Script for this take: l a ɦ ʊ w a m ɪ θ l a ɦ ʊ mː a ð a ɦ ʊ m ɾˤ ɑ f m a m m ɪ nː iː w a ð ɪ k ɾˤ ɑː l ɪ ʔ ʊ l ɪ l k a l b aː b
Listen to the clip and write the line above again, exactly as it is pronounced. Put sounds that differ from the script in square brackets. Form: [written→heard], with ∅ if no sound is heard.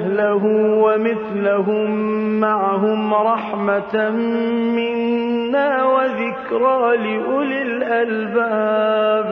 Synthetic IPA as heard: l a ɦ ʊ w a m ɪ θ l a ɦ ʊ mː a [ð→ʕ] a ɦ ʊ m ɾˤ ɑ [f→ħ] m a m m ɪ nː [iː→aː] w a ð ɪ k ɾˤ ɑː l ɪ ʔ ʊ l ɪ l [k→ʔ] a l b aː b